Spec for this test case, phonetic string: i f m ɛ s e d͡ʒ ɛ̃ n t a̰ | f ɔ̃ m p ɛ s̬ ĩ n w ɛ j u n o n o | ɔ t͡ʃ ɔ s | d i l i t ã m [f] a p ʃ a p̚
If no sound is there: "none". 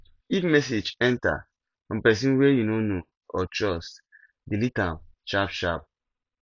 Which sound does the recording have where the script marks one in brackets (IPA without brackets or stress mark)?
ʃ